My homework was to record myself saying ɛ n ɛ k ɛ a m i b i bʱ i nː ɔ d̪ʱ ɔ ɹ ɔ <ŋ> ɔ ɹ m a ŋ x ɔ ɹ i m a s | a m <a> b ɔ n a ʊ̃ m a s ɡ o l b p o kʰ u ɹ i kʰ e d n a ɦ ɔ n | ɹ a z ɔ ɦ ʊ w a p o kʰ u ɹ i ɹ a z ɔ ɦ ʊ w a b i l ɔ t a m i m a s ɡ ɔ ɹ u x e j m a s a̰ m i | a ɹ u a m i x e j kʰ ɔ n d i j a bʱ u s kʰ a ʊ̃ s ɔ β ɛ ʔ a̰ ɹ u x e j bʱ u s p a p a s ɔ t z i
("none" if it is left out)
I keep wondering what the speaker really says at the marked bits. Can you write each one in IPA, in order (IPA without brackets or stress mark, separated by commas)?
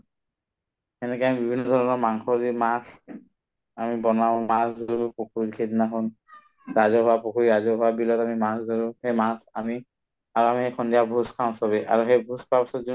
n, i